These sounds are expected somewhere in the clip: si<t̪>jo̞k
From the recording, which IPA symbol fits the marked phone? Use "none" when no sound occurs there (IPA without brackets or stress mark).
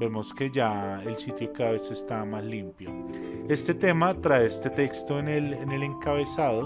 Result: t̪